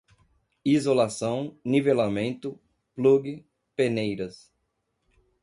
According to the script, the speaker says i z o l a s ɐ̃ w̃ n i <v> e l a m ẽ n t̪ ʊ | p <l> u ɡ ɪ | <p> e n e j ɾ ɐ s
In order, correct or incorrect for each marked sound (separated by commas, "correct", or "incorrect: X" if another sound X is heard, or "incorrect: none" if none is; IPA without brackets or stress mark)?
correct, correct, correct